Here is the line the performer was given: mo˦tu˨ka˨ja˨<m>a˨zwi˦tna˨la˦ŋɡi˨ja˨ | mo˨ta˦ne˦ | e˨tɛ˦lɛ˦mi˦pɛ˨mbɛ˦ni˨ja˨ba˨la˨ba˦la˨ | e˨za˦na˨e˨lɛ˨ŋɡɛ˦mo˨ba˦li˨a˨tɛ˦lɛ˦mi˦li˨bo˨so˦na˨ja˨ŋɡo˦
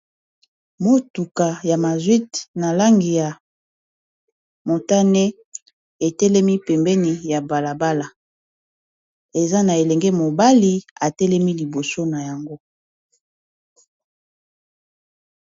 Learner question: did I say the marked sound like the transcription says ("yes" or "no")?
yes